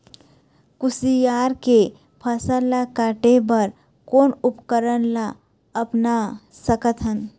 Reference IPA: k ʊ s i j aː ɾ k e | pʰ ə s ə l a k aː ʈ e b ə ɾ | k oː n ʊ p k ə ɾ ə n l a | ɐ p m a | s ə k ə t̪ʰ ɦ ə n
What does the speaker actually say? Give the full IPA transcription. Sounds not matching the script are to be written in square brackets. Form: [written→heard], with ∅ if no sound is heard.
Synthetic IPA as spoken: k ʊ s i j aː ɾ k e | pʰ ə s ə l a k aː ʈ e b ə ɾ | k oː n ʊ p k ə ɾ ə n l a | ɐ p [m→n] a | s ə k ə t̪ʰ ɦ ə n